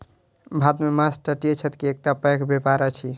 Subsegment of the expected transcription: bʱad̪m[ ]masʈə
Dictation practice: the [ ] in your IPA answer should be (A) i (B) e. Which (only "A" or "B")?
B